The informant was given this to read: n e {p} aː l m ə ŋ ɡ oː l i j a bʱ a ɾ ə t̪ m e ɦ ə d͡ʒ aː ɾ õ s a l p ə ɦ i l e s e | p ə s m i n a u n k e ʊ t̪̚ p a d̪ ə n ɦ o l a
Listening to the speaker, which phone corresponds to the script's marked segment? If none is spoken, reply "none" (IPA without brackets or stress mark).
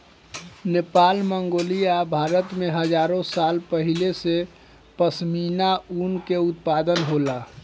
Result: p